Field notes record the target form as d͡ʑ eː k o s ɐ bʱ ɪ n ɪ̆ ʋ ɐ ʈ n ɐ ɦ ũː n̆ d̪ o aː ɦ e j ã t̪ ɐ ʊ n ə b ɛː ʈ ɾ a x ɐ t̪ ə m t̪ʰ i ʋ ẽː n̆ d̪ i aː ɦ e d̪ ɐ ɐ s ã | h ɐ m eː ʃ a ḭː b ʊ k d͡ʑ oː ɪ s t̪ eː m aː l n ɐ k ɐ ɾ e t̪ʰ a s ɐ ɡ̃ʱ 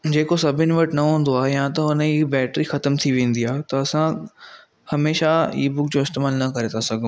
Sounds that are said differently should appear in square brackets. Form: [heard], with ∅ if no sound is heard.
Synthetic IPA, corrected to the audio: d͡ʑ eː k o s ɐ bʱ ɪ n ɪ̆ ʋ ɐ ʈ n ɐ ɦ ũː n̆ d̪ o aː ɦ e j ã t̪ ɐ ʊ n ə b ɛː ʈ ɾ [i] x ɐ t̪ ə m t̪ʰ i ʋ ẽː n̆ d̪ i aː ɦ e [t̪] ɐ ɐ s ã | h ɐ m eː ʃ a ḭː b ʊ k d͡ʑ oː ɪ s t̪ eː m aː l n ɐ k ɐ ɾ e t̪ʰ a s ɐ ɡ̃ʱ